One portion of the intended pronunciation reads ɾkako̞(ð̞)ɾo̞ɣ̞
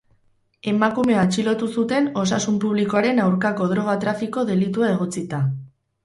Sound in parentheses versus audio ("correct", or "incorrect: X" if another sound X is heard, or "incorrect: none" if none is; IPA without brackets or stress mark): correct